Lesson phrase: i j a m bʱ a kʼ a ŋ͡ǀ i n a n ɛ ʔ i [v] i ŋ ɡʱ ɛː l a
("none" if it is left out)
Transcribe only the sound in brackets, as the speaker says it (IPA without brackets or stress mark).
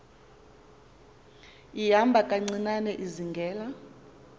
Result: z